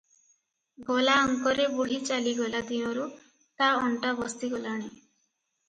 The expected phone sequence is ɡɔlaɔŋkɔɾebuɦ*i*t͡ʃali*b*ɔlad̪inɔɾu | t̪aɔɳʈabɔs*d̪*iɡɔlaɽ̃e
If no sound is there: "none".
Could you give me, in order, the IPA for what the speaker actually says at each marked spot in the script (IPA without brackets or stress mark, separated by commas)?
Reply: i, ɡ, t̪